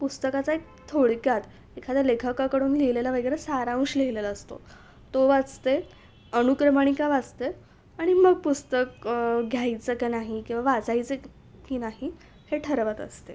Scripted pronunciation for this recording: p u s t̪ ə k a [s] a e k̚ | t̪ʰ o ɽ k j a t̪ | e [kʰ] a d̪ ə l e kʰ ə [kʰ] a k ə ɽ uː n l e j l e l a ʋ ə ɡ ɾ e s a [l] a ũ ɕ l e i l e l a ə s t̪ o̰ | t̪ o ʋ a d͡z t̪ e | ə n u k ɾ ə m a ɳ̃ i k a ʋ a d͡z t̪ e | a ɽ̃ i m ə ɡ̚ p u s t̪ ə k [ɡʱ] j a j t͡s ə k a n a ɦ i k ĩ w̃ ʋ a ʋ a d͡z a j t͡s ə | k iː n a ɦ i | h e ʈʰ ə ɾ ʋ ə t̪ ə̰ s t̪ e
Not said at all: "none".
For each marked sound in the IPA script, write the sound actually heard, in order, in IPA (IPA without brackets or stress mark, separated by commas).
t͡s, kʰ, k, ɾ, ɡʱ